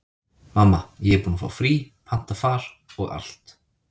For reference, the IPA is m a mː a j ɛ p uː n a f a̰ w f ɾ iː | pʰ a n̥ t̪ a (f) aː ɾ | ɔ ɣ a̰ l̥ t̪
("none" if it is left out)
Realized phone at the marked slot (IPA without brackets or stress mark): f